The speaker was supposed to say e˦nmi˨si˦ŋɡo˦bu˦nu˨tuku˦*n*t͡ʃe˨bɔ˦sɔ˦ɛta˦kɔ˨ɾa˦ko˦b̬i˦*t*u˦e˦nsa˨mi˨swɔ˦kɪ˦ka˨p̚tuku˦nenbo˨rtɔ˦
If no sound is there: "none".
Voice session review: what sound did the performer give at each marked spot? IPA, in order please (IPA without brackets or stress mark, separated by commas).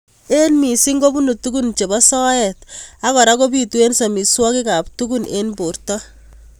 n, t